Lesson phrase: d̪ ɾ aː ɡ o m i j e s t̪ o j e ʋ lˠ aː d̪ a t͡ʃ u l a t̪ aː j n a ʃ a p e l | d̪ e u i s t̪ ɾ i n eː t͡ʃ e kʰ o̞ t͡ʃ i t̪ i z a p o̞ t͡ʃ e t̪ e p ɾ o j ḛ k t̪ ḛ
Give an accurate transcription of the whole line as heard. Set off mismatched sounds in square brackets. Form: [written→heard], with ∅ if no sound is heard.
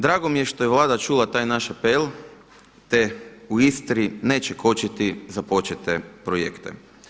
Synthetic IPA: d̪ ɾ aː ɡ o m i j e [s→ʃ] t̪ o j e ʋ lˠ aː d̪ a t͡ʃ u l a t̪ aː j n a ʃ a p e l | [d̪→t̪] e u i s t̪ ɾ i n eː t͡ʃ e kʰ o̞ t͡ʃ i t̪ i z a p o̞ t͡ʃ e t̪ e p ɾ o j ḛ k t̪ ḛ